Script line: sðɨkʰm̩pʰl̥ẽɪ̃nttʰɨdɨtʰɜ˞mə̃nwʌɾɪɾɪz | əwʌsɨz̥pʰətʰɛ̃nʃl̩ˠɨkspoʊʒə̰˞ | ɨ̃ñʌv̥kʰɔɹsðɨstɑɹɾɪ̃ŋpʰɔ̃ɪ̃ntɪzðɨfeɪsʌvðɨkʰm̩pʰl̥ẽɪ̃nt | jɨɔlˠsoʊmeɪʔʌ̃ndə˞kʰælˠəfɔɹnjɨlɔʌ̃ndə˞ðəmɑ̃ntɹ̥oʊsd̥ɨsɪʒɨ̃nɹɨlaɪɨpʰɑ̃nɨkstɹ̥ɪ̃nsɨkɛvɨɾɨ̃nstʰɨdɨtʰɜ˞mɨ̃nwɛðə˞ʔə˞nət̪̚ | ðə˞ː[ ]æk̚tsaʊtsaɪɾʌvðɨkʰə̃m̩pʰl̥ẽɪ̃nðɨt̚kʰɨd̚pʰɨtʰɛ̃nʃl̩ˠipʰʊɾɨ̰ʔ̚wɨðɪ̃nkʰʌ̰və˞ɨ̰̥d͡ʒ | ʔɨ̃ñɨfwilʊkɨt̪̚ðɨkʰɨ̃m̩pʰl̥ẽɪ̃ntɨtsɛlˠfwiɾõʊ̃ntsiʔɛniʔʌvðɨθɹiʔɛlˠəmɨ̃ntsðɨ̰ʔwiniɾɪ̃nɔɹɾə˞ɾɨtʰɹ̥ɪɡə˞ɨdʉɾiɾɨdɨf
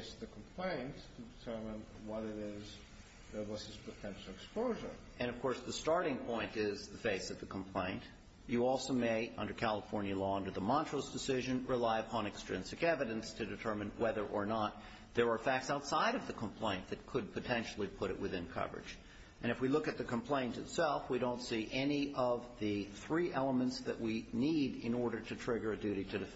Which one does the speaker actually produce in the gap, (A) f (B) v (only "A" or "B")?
A